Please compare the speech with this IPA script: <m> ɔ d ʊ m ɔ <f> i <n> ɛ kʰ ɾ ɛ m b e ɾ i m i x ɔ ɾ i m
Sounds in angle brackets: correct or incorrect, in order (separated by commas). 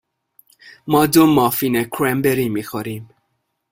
correct, correct, correct